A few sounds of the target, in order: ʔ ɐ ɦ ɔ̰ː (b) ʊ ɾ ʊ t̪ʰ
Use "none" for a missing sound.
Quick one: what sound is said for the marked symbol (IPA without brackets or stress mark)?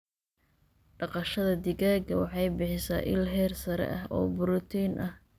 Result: b